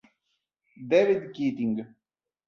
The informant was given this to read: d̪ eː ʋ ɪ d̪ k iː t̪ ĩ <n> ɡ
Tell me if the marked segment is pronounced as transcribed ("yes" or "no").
no